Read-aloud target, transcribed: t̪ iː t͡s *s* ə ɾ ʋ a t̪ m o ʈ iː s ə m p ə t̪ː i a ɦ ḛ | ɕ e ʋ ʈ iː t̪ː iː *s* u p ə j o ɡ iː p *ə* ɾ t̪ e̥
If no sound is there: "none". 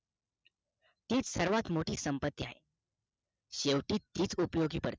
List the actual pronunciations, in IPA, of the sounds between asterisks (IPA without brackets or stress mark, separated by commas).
s, t͡s, ə